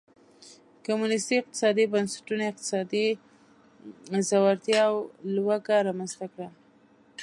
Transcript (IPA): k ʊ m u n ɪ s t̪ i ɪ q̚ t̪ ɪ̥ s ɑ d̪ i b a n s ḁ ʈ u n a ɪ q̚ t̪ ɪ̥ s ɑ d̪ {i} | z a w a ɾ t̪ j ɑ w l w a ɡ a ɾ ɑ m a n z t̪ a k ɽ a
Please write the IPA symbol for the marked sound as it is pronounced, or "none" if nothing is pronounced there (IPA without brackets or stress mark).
i